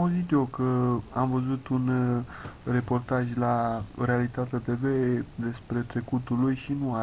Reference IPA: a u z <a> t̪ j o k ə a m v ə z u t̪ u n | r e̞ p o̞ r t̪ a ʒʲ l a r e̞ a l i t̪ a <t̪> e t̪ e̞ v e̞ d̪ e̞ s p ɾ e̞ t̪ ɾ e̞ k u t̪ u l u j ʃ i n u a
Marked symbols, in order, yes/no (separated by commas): no, yes